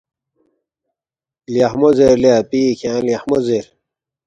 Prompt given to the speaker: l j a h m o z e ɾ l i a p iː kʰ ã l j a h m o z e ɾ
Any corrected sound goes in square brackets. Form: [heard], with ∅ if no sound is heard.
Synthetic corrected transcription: l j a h m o z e ɾ l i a p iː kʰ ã l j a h m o z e ɾ